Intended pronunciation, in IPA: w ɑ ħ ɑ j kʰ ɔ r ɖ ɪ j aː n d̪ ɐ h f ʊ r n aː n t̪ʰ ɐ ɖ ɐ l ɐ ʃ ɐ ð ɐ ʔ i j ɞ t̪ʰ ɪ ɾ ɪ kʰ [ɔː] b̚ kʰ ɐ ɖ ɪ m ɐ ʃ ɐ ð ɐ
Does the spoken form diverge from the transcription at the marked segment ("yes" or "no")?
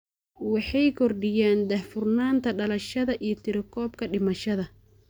no